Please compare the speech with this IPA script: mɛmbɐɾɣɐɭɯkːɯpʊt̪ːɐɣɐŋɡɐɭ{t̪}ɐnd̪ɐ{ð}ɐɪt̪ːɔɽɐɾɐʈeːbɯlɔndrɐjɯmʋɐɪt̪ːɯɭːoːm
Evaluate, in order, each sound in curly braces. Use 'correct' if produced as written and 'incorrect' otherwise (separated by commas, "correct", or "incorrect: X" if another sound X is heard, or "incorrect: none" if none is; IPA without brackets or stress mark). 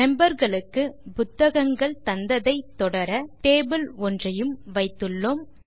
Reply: correct, correct